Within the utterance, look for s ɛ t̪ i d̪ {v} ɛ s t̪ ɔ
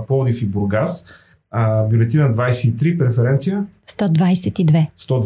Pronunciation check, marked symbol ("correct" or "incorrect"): correct